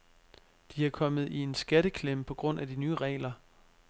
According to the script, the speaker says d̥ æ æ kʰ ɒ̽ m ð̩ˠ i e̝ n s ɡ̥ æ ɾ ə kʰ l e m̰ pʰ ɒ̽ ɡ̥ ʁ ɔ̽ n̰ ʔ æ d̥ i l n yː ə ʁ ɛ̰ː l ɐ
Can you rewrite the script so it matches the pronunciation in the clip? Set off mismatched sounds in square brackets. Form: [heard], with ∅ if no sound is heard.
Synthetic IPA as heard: d̥ [i] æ kʰ ɒ̽ m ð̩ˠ i e̝ n s ɡ̥ æ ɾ ə kʰ l e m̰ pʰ ɒ̽ ɡ̥ ʁ ɔ̽ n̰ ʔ æ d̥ i [∅] n yː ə ʁ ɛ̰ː l ɐ